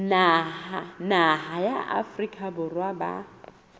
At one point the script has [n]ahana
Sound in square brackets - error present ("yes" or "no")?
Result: no